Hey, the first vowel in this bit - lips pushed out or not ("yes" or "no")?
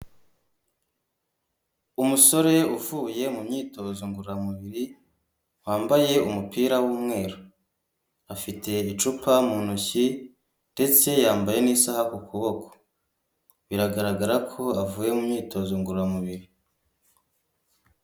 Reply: yes